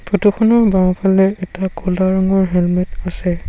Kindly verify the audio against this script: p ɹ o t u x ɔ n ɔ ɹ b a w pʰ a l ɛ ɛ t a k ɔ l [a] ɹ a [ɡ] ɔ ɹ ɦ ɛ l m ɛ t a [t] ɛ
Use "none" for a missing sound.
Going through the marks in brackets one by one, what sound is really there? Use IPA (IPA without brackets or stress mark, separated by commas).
a, ŋ, s